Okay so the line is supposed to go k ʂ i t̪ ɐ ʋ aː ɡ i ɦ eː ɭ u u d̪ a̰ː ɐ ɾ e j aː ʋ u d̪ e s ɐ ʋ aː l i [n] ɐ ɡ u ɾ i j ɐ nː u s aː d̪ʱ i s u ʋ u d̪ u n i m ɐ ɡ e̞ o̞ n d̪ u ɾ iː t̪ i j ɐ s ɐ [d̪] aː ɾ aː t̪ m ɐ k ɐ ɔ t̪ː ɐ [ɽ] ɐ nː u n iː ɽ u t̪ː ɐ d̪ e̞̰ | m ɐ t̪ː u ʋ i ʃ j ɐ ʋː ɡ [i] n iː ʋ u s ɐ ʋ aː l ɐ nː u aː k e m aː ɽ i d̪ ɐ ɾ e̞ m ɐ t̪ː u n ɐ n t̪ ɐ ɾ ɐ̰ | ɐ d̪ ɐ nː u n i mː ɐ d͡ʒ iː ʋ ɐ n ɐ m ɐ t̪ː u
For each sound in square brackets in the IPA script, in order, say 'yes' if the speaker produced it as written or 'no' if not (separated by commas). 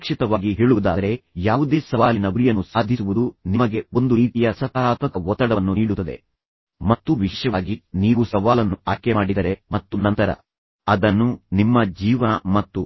yes, no, yes, yes